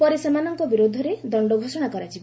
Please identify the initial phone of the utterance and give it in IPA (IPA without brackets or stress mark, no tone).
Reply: p